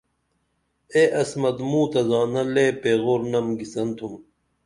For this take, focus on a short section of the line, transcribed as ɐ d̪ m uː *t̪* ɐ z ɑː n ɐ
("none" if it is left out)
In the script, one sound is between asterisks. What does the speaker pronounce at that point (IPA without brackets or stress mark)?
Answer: t̪